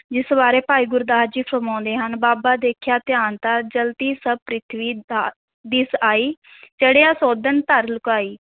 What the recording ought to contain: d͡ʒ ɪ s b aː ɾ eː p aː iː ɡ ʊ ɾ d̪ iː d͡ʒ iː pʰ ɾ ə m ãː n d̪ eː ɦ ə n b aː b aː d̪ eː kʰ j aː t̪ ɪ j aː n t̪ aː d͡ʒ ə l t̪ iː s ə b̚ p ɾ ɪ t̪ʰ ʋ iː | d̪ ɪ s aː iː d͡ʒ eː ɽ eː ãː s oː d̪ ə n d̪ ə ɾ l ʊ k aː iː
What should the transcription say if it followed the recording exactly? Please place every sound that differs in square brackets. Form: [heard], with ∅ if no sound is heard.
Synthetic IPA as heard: d͡ʒ ɪ s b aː ɾ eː p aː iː ɡ ʊ ɾ d̪ [aː] d͡ʒ iː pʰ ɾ ə m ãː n d̪ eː ɦ ə n b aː b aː d̪ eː kʰ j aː t̪ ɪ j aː n t̪ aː d͡ʒ ə l t̪ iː s ə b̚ p ɾ ɪ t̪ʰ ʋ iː | d̪ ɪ s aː iː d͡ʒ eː ɽ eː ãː s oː d̪ ə n [t̪] ə ɾ l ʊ k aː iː